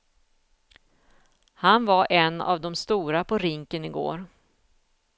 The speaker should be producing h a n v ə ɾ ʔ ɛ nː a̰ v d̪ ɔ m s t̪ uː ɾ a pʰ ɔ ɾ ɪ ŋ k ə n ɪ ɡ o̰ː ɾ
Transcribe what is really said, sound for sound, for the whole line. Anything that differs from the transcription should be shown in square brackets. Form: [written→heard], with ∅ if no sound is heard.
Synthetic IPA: h a n v [ə→a] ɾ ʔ ɛ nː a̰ v d̪ ɔ m s t̪ uː ɾ a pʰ ɔ ɾ ɪ ŋ k ə n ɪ ɡ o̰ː ɾ